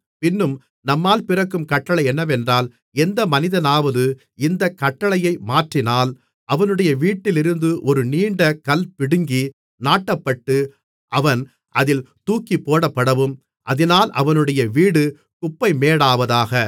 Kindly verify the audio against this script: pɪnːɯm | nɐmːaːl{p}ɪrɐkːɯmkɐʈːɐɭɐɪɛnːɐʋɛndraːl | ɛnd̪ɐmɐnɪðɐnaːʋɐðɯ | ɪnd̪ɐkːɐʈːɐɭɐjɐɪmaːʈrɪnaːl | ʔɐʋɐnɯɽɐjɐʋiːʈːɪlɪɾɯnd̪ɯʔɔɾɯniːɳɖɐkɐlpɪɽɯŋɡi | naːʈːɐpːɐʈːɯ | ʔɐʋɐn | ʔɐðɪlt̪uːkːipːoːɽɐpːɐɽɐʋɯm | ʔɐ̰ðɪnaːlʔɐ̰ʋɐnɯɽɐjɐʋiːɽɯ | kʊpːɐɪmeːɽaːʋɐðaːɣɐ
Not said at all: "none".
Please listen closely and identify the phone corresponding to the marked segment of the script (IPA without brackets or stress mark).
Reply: p